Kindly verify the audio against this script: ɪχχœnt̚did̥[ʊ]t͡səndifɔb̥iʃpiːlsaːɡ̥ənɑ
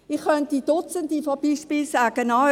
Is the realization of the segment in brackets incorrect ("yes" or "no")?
no